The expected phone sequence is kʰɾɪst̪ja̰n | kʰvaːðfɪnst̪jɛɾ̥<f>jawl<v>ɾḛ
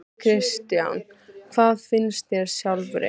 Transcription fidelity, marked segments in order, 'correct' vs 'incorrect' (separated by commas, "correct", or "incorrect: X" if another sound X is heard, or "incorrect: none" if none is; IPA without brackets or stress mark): incorrect: s, correct